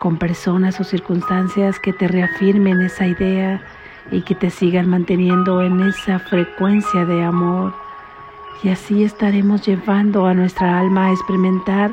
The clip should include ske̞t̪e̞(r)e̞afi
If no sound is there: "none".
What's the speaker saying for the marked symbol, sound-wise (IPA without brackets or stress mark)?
r